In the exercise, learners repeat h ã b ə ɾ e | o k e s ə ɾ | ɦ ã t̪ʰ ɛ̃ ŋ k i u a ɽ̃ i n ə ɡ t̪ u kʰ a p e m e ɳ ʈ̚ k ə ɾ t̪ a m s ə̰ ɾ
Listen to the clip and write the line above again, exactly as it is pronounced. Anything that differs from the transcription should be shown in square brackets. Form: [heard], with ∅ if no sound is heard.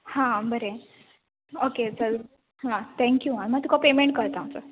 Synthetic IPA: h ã b ə ɾ e | o k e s ə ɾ | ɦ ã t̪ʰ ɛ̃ ŋ k [j] u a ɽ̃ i [m] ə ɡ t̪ u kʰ a p e m e ɳ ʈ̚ k ə ɾ t̪ a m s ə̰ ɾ